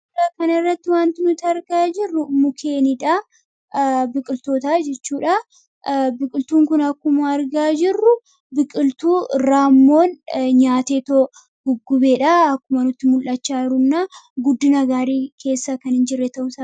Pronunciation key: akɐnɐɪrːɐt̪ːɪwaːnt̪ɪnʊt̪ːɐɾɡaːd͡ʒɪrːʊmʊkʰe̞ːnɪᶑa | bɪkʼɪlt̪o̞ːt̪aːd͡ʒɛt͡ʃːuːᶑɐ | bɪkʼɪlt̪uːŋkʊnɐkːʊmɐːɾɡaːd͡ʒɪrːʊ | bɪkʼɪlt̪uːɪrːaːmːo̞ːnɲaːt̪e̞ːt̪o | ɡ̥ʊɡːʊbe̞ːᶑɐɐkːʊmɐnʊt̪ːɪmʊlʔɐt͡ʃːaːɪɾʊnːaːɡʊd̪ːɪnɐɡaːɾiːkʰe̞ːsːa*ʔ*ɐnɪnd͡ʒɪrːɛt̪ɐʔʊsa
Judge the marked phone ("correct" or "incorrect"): incorrect